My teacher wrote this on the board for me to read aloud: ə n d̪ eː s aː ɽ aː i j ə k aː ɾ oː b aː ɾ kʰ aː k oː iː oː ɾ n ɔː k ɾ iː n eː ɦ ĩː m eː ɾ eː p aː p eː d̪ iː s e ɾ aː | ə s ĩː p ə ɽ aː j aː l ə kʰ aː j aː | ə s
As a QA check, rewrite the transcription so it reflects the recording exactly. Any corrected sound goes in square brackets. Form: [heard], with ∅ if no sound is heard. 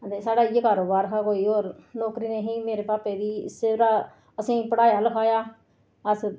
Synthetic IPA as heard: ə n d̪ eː s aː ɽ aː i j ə k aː ɾ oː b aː ɾ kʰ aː k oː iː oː ɾ n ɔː k ɾ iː n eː ɦ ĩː m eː ɾ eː p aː p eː d̪ iː s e ɾ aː | ə s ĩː p ə ɽ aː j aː l ə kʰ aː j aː | ə s